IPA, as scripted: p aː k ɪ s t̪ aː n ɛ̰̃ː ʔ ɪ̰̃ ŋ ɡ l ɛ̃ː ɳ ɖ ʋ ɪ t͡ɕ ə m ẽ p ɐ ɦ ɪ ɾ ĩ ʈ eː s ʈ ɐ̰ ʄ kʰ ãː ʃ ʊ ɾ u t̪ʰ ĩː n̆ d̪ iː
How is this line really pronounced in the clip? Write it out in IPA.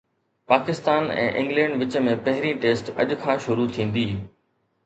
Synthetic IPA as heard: p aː k ɪ s t̪ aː n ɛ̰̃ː ʔ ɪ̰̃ ŋ ɡ l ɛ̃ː ɳ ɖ ʋ ɪ t͡ɕ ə m ẽ p ɐ ɦ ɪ ɾ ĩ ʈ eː s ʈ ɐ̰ ʄ kʰ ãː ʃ ʊ ɾ u t̪ʰ ĩː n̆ d̪ iː